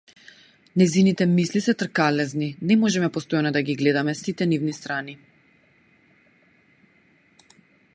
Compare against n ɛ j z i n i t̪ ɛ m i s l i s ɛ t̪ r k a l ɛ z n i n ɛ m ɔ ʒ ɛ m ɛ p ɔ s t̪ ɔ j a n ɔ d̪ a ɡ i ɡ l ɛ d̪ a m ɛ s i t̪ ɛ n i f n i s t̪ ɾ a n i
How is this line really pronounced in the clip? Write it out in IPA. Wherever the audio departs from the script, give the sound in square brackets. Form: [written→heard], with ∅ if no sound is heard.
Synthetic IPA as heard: n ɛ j z i n i t̪ ɛ m i s l i s ɛ t̪ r k a l ɛ z n i n ɛ m ɔ ʒ ɛ m ɛ p ɔ s t̪ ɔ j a n ɔ d̪ a ɡ i ɡ l ɛ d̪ a m ɛ s i t̪ ɛ n i [f→v] n i s t̪ ɾ a n i